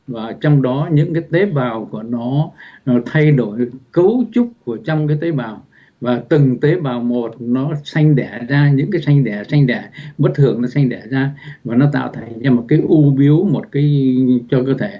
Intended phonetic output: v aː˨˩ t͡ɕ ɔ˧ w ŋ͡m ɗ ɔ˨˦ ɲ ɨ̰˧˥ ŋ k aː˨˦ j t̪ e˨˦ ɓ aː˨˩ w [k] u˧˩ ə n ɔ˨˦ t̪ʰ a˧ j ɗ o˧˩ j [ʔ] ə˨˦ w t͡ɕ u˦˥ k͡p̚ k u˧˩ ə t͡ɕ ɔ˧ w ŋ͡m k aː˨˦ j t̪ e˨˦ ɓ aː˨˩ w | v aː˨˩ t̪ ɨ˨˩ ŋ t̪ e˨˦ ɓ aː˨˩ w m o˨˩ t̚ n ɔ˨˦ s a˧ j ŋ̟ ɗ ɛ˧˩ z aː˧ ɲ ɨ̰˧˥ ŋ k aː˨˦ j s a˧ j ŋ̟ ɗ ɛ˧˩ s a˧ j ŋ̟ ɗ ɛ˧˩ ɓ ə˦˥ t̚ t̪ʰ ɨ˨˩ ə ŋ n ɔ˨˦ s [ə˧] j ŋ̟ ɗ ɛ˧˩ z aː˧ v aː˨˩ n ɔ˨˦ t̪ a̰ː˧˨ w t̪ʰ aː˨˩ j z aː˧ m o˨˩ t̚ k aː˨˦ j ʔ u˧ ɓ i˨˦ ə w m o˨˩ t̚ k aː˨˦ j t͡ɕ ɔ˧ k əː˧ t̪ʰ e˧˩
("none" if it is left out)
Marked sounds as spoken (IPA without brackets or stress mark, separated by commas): k, k, a˧